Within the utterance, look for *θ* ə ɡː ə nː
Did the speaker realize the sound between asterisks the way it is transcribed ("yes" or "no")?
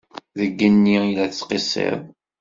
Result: no